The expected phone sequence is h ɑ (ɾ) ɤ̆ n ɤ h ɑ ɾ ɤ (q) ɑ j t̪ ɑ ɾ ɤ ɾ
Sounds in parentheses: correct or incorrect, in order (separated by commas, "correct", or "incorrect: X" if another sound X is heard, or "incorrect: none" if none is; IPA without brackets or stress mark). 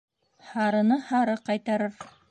correct, correct